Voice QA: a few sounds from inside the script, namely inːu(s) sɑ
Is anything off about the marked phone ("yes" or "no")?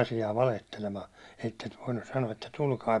no